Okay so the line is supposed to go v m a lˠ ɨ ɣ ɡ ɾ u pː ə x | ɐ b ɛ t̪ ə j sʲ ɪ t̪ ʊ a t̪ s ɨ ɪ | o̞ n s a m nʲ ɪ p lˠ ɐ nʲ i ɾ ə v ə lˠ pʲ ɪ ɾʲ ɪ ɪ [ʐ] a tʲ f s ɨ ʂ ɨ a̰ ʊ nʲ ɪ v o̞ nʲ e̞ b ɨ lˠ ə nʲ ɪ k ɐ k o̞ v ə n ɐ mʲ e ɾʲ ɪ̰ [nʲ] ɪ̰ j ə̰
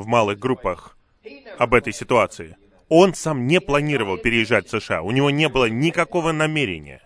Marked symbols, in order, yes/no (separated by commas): no, yes